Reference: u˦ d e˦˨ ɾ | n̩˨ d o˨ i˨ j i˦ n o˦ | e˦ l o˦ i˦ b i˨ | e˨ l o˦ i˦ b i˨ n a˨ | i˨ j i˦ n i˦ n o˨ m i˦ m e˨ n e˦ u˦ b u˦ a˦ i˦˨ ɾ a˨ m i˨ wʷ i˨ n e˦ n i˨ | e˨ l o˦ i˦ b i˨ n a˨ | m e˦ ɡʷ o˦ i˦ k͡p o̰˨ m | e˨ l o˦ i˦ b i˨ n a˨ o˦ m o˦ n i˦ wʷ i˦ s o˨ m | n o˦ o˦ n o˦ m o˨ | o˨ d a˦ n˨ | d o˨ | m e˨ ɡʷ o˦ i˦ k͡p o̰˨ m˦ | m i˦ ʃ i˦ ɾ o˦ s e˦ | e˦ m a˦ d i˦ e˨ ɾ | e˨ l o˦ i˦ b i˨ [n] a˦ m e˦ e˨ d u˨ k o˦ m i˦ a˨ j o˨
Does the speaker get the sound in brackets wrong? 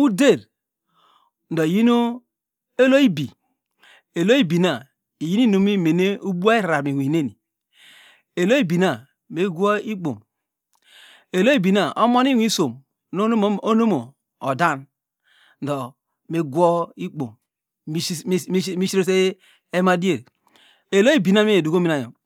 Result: no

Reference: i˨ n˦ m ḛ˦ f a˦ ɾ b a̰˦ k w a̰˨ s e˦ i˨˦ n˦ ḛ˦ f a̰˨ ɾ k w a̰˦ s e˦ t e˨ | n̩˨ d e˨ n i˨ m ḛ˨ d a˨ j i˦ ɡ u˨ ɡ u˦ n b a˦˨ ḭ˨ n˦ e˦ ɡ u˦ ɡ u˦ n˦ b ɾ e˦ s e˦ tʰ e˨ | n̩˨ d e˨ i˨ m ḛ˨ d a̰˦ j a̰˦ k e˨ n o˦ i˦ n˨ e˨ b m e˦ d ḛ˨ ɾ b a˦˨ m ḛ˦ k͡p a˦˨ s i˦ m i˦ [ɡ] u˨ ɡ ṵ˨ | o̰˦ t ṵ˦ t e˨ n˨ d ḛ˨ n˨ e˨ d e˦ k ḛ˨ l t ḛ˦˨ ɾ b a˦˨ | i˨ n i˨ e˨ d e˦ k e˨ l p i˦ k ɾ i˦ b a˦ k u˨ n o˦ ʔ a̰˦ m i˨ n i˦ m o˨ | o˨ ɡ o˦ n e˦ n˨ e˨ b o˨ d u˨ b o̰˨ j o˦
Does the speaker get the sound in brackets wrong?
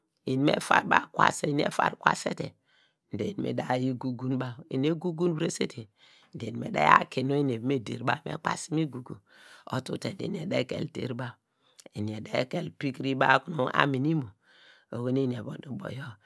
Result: no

